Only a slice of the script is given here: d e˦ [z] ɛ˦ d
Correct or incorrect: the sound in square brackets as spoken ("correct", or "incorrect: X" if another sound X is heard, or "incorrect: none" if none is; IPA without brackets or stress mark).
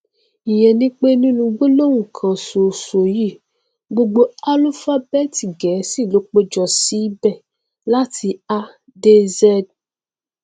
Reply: correct